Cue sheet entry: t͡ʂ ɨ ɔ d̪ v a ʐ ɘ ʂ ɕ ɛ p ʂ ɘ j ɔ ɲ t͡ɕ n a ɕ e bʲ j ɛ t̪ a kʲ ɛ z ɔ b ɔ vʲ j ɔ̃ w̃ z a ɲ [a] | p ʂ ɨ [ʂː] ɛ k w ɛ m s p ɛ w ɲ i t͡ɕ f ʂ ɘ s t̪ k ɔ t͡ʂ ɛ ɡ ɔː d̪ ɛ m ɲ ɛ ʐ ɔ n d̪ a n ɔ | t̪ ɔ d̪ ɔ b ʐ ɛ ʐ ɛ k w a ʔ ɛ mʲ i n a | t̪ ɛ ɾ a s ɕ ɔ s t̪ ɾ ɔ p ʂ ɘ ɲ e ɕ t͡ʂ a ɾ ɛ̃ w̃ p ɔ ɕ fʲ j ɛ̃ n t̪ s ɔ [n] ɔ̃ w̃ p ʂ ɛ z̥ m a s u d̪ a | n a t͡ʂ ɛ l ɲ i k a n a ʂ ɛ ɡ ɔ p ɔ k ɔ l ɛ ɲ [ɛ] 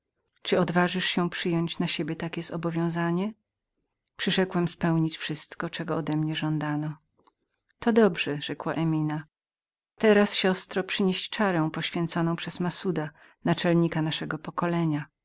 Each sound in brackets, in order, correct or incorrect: incorrect: ɛ, incorrect: ʂ, correct, incorrect: a

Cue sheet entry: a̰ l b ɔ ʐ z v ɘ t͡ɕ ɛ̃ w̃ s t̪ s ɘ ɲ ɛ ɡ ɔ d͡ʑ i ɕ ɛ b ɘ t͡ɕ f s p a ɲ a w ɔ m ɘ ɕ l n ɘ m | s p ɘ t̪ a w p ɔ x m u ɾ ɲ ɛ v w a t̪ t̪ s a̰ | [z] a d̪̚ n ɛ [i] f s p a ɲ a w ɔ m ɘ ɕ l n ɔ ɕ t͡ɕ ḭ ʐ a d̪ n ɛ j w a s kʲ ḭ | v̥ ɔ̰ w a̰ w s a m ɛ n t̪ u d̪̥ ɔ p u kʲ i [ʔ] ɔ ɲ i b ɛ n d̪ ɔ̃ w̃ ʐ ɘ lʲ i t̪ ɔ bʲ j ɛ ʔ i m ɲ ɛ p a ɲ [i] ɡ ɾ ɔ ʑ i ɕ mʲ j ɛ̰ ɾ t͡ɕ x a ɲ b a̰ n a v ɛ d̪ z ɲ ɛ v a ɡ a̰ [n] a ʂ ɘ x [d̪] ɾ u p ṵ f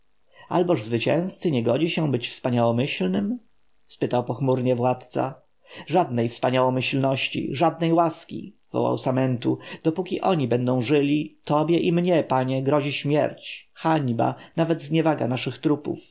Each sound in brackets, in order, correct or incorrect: incorrect: ʐ, incorrect: j, correct, incorrect: ɛ, correct, incorrect: t̪

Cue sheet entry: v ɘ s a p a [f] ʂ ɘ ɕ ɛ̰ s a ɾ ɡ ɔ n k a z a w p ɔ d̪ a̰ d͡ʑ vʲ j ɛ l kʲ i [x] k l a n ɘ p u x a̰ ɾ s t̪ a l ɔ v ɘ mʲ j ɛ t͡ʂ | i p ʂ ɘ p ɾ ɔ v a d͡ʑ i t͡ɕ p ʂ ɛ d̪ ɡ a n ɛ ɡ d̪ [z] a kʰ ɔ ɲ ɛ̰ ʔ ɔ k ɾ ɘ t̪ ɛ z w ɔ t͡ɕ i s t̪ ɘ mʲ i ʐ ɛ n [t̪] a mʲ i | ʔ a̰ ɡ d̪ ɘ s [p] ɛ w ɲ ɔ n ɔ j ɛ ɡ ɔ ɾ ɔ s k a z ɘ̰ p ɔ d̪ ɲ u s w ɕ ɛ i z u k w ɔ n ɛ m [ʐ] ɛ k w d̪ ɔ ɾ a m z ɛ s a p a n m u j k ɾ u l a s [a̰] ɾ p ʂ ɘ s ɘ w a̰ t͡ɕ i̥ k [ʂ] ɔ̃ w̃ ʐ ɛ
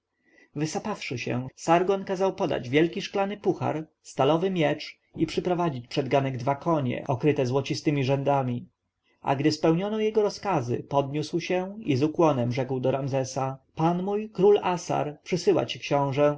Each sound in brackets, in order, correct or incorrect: correct, incorrect: ʂ, incorrect: v, incorrect: d̪, correct, correct, correct, incorrect: ɕ

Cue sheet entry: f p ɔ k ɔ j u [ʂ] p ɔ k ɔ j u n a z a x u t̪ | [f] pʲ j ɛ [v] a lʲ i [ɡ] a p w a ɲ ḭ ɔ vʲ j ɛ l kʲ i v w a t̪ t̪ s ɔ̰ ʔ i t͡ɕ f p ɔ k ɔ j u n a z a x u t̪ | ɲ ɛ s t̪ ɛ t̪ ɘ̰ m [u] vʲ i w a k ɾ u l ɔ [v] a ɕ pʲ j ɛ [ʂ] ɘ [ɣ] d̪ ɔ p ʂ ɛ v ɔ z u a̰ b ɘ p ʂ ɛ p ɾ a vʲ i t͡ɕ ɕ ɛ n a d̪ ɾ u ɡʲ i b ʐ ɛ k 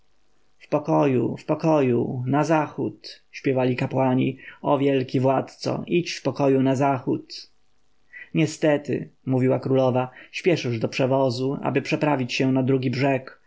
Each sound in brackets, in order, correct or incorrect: incorrect: f, incorrect: ɕ, correct, incorrect: k, correct, correct, correct, incorrect: ʐ

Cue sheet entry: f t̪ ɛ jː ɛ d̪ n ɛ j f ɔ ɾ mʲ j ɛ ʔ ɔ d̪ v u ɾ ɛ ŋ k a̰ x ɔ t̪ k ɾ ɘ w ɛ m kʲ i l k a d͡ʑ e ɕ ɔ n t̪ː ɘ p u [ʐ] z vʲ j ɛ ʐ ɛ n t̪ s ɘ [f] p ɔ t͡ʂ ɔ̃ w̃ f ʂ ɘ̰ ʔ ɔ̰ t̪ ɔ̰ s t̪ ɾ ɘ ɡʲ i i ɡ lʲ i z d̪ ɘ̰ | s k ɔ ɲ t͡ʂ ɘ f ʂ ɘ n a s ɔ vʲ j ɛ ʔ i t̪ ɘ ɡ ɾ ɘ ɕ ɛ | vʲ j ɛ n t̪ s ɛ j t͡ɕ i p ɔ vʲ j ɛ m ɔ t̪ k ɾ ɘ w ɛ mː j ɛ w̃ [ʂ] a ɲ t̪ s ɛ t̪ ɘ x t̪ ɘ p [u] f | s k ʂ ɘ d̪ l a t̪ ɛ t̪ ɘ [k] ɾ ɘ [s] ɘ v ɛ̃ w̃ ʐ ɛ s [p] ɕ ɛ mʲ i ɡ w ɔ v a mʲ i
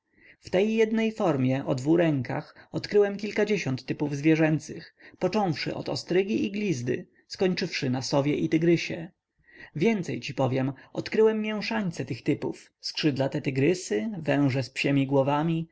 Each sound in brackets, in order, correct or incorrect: incorrect: v, incorrect: x, correct, correct, incorrect: ɡ, correct, correct

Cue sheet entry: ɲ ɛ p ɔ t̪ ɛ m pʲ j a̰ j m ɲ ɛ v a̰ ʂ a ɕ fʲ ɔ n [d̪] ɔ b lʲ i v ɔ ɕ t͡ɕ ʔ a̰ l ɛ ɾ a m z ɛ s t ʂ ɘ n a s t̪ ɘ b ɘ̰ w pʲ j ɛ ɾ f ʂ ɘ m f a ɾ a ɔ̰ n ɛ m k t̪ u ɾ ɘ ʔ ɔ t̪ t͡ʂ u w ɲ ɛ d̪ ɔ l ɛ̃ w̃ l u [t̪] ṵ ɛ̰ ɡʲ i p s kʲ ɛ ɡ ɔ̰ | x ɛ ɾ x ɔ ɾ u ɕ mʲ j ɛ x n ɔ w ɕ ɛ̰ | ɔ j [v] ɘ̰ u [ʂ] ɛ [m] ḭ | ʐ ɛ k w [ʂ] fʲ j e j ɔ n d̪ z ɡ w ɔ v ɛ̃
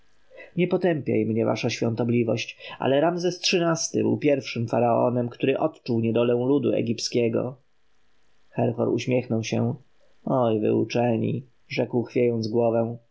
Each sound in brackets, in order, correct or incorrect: incorrect: t̪, incorrect: d̪, correct, incorrect: t͡ʂ, incorrect: ɲ, incorrect: x

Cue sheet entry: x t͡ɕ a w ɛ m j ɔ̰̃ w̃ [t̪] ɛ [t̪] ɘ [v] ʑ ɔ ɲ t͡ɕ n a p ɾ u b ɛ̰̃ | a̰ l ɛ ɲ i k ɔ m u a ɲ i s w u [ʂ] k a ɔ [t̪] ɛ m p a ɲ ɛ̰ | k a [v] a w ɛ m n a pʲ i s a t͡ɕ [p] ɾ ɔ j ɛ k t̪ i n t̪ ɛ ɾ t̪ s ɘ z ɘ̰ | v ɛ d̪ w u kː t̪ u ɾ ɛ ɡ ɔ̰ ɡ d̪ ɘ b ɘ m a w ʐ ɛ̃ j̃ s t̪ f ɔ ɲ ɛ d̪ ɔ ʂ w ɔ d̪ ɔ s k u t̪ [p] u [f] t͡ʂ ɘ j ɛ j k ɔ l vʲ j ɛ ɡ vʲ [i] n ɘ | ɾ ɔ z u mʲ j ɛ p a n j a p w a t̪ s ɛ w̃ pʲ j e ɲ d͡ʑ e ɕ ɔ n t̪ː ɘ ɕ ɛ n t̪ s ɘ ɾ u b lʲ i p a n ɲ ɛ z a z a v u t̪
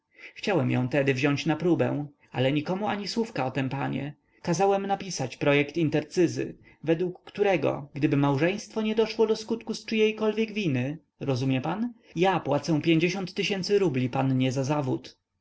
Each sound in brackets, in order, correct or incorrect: correct, incorrect: d̪, correct, incorrect: f, correct, incorrect: z, correct, incorrect: k, incorrect: s, correct

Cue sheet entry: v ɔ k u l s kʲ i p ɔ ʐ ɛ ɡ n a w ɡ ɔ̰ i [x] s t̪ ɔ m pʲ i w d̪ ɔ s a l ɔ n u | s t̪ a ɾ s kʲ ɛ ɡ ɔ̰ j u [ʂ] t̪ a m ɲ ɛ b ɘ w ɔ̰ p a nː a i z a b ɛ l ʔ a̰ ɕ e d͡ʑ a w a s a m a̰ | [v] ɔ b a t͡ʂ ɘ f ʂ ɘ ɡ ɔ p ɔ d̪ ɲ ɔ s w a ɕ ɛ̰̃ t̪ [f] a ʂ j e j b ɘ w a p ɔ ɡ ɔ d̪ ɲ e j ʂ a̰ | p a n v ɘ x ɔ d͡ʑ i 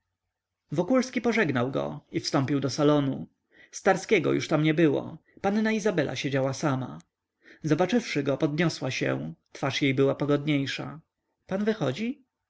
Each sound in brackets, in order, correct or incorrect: incorrect: f, correct, incorrect: z, correct

